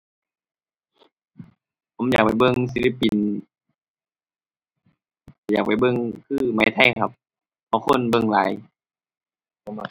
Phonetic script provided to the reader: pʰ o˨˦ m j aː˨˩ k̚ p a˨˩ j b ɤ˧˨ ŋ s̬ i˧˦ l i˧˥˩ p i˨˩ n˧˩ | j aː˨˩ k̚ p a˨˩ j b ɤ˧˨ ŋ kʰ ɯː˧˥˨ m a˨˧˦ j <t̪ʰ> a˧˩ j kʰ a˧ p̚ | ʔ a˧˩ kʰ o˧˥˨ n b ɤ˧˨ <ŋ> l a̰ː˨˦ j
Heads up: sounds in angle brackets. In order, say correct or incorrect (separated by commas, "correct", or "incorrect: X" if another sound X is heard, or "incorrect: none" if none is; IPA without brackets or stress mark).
correct, correct